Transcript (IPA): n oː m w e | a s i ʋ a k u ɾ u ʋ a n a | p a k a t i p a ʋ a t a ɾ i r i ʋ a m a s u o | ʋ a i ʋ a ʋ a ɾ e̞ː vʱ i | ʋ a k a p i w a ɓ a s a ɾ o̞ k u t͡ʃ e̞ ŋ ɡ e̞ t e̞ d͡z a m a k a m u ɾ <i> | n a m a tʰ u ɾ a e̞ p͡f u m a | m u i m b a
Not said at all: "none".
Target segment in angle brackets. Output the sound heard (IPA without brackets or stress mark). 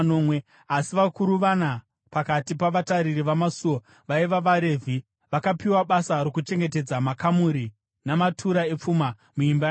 i